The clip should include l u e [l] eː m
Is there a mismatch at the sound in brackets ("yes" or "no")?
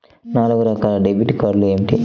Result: yes